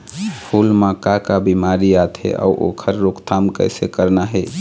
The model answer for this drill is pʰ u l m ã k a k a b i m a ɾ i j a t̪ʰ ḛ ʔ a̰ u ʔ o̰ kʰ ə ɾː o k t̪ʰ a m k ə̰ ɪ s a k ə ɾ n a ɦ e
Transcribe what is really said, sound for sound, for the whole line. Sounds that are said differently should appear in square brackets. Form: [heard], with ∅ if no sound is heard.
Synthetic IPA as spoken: pʰ u l m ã k a k a b i m a ɾ i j a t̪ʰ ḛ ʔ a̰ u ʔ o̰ kʰ ə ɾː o k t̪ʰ a m k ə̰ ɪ s [e] k ə ɾ n a ɦ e